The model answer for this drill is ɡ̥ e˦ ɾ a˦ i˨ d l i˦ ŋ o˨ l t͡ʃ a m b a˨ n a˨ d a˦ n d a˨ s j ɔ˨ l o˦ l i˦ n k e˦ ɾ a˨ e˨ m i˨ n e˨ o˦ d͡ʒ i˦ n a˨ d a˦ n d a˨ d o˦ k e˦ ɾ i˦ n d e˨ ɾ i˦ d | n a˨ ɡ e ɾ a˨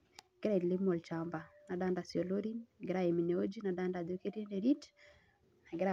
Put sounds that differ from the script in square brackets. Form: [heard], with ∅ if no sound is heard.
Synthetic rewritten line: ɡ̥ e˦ ɾ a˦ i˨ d l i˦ [m] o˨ l t͡ʃ a m b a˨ n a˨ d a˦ n d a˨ s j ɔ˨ l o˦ [ɾ] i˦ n [ɡ] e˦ ɾ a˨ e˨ m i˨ n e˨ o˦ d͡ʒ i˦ n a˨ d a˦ n d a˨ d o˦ k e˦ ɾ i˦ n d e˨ ɾ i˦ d | n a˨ ɡ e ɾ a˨